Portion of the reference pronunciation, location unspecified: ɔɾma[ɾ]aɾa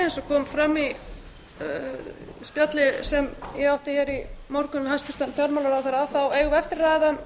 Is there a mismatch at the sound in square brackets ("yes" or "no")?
yes